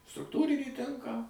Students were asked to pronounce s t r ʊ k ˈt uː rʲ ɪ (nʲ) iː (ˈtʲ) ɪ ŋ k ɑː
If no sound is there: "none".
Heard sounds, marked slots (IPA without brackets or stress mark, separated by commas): nʲ, tʲ